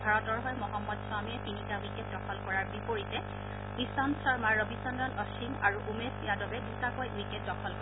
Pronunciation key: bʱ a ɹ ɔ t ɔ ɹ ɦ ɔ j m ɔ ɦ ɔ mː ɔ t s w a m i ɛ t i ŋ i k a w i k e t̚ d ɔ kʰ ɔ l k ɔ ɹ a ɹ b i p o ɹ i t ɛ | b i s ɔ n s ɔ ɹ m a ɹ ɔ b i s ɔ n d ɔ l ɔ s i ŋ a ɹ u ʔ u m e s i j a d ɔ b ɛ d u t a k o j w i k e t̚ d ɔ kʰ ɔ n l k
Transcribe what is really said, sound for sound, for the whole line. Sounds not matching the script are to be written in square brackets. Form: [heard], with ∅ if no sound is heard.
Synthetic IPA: bʱ a ɹ ɔ t ɔ ɹ ɦ ɔ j m ɔ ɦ ɔ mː ɔ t s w a m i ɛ t i [n] i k a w i k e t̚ d ɔ kʰ ɔ l k ɔ ɹ a ɹ b i p o ɹ i t ɛ | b i s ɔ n s ɔ ɹ m a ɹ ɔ b i s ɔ n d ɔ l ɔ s i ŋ a ɹ u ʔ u m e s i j a d ɔ b ɛ d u t a k o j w i k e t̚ d ɔ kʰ ɔ [∅] l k